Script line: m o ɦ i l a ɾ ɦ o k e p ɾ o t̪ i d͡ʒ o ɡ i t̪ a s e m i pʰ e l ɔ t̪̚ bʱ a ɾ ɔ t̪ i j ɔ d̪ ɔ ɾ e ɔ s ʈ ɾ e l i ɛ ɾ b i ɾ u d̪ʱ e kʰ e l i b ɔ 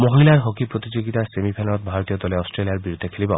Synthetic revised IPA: m o ɦ i l a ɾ ɦ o k i p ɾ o t̪ i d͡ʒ o ɡ i t̪ a s e m i pʰ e l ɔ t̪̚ bʱ a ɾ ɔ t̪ i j ɔ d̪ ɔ l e ɔ s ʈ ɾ e l i a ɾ b i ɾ u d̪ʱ e kʰ e l i b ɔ